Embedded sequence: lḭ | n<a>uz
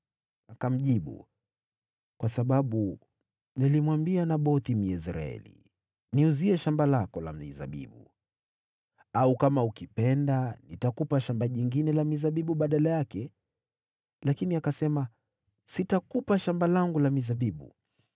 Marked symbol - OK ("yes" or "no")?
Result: no